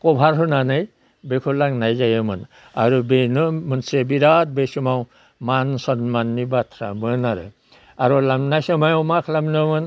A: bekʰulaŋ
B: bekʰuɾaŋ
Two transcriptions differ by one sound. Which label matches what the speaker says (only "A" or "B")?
A